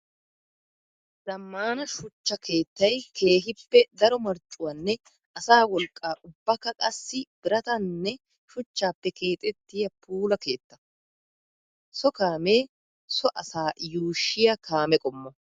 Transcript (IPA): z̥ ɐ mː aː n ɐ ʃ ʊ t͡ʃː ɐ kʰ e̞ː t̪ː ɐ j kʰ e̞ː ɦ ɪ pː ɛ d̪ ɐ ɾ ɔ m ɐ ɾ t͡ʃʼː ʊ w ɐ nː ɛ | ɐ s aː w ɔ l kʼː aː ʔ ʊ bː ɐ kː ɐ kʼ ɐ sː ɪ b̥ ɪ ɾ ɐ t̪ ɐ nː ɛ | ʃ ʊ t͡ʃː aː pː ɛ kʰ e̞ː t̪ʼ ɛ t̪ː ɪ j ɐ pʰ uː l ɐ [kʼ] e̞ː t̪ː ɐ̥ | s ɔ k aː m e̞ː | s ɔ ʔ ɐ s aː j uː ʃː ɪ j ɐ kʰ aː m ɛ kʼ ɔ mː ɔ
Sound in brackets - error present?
yes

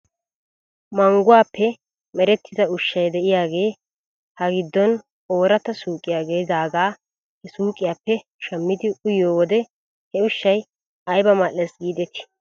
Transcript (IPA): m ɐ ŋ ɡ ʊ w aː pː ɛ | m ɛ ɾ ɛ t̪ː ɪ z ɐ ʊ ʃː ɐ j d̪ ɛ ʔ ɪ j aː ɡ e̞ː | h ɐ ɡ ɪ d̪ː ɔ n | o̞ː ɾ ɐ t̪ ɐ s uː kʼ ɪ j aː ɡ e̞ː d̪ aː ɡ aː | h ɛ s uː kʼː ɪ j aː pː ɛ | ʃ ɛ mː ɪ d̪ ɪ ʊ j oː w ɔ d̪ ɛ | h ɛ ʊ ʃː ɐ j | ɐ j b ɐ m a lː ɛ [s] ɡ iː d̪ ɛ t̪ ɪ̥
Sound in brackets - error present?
no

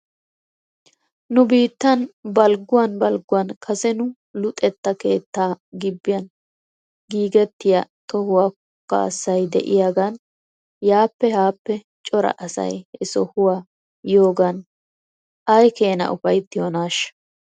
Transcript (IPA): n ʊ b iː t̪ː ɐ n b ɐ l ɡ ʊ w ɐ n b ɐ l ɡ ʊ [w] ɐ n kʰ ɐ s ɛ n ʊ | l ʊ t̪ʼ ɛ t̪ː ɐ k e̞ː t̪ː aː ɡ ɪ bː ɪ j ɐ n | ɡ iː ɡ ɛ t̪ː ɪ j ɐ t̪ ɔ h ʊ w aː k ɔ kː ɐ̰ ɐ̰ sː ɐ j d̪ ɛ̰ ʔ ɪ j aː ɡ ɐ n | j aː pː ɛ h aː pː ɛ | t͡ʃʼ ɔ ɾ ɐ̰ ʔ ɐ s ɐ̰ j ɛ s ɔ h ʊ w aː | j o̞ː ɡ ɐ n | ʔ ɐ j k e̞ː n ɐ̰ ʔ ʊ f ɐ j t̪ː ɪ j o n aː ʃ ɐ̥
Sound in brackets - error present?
no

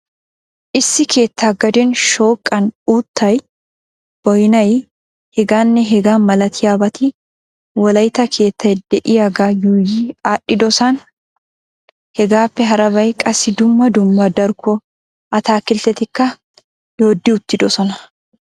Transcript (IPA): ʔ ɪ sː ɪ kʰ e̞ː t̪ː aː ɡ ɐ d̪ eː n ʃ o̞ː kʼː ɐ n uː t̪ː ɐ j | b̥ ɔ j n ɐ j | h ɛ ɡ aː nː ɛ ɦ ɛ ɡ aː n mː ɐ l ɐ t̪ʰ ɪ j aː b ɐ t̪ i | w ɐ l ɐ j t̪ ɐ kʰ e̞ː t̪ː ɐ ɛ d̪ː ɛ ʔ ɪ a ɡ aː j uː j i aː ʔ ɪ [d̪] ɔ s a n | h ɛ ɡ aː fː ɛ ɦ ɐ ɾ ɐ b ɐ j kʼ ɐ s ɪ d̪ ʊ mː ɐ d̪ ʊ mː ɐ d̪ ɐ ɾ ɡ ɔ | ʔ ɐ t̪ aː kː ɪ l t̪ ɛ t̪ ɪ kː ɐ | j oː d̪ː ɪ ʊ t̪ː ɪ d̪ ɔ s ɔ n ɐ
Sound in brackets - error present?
no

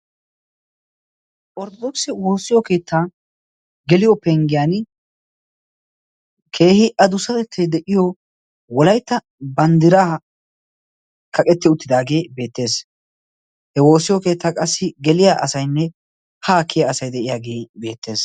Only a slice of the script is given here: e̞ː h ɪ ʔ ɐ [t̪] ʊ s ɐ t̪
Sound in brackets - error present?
yes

